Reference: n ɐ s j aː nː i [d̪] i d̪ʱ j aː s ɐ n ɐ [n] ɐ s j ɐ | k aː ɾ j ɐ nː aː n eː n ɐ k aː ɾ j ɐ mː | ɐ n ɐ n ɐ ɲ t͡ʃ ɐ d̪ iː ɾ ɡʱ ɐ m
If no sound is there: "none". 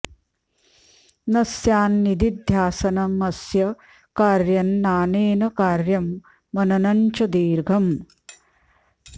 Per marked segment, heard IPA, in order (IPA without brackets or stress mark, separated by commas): d̪, m